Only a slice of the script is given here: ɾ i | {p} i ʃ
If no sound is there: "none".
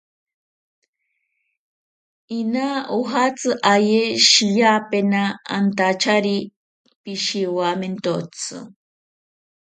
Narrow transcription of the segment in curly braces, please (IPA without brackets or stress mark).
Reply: p